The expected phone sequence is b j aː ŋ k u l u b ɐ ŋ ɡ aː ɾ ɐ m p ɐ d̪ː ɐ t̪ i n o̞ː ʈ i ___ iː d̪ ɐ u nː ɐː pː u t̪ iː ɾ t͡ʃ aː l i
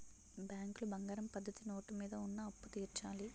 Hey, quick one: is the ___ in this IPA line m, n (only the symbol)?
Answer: m